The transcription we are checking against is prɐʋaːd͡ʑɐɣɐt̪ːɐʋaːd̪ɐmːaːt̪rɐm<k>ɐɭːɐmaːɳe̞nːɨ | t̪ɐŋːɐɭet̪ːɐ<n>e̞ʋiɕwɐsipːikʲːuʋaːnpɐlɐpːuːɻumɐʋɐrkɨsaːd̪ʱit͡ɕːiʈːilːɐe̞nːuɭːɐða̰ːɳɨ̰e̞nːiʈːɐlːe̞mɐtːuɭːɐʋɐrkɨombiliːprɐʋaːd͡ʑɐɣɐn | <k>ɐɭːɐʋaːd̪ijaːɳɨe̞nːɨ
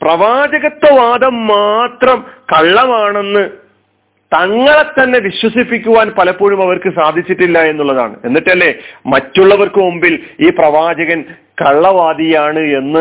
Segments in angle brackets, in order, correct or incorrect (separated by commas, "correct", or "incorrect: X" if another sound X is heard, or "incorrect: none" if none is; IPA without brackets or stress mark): correct, incorrect: nː, correct